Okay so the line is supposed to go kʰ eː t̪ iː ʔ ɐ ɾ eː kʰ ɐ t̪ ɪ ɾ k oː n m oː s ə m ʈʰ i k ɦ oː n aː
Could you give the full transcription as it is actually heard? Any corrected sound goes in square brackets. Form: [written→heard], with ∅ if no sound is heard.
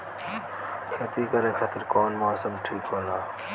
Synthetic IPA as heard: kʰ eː t̪ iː [ʔ→k] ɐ ɾ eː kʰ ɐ t̪ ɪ ɾ k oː n m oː s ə m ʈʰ [i→iː] k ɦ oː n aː